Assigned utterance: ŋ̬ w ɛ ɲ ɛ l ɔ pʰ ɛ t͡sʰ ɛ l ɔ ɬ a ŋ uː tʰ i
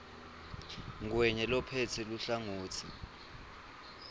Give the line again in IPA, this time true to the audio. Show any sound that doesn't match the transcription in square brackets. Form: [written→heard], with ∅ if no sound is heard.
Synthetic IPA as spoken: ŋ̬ w ɛ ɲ ɛ l ɔ pʰ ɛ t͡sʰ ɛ l [ɔ→u] ɬ a ŋ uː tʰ i

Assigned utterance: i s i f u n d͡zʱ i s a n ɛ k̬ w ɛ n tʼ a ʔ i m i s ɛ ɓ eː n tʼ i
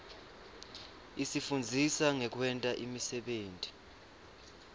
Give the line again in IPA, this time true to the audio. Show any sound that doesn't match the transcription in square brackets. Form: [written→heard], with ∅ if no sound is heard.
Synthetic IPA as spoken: i s i f u n d͡zʱ i s a [n→ŋ] ɛ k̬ w ɛ n tʼ a ʔ i m i s ɛ ɓ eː n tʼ i

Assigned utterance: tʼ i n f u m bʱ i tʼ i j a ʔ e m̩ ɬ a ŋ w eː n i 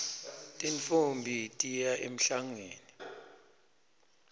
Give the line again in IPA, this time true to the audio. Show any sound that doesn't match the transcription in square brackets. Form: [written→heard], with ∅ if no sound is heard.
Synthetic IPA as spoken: tʼ i n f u m bʱ i tʼ i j a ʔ e m̩ ɬ a ŋ w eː n i

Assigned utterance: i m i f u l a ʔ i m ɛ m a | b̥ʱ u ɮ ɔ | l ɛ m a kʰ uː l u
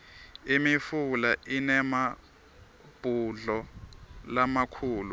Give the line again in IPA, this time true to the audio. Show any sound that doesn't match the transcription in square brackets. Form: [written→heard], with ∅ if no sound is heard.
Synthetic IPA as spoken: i m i f u l a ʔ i [m→n] ɛ m a | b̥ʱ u ɮ ɔ | l [ɛ→a] m a kʰ uː l u

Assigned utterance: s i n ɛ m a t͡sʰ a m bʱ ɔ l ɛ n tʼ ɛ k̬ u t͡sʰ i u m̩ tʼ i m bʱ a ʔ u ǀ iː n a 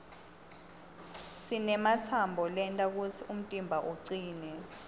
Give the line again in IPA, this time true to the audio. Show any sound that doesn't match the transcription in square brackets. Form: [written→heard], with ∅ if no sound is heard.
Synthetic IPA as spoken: s i n ɛ m a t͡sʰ a m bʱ ɔ l ɛ n tʼ [ɛ→a] k̬ u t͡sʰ i u m̩ tʼ i m bʱ a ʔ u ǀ iː n [a→ɛ]

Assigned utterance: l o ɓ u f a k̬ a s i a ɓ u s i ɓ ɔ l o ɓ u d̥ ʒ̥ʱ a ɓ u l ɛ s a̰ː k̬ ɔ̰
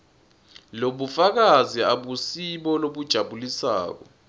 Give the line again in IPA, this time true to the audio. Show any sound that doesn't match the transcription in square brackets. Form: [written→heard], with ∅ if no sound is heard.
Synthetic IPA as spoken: l o ɓ u f a k̬ a [s→z] i a ɓ u s i ɓ ɔ l o ɓ u d̥ ʒ̥ʱ a ɓ u l [ɛ→i] s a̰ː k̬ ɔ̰

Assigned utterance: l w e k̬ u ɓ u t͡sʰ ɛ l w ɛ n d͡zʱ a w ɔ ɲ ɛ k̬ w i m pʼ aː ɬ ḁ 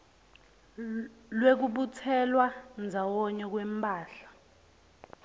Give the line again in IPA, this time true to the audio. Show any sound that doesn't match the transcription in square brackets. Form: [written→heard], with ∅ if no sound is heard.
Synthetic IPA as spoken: l w e k̬ u ɓ u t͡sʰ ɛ l w [ɛ→a] n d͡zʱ a w ɔ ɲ ɛ k̬ w [i→ɛ] m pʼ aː ɬ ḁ

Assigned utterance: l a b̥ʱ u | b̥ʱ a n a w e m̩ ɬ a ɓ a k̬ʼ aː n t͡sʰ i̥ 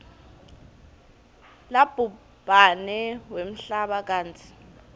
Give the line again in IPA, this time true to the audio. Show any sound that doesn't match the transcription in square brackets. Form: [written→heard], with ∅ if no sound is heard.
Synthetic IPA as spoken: l a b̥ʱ u | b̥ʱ a n [a→ɛ] w e m̩ ɬ a ɓ a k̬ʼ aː n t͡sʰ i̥

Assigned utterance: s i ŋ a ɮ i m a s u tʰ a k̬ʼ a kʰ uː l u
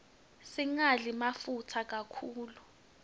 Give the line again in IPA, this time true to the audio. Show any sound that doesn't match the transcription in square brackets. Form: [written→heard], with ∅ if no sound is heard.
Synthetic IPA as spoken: s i ŋ a ɮ i m a [s→f] u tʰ a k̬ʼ a kʰ uː l u

